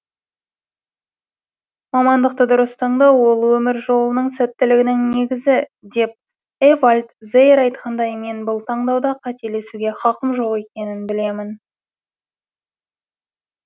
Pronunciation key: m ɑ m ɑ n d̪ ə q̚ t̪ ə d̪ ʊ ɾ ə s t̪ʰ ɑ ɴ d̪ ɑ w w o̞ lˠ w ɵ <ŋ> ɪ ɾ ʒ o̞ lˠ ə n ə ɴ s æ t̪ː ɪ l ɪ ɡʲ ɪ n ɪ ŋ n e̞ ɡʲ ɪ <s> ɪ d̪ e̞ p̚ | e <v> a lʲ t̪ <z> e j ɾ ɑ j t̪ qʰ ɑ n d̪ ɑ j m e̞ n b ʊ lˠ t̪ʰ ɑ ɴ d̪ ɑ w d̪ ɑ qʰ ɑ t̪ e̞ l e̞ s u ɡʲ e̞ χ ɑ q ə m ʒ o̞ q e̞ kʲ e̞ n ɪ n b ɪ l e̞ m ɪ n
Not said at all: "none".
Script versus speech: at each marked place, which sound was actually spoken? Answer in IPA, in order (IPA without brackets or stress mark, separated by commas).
m, z, v, z